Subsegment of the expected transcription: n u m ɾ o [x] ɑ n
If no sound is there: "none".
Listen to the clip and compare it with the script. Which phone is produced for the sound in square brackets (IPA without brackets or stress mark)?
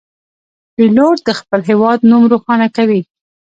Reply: x